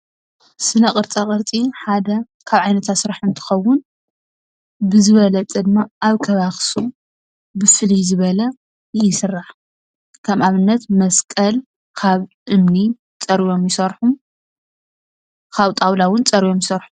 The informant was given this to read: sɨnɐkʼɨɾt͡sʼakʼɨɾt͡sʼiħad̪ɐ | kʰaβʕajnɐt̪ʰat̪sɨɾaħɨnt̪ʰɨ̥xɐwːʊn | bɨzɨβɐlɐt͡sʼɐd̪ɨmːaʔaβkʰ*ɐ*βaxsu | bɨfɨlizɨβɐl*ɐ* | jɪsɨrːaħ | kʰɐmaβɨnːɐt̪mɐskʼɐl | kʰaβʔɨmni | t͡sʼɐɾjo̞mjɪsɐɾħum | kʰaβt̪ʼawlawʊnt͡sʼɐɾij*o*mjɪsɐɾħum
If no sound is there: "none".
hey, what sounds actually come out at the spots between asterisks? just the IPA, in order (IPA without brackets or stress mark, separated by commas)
ɐ, ɐ, o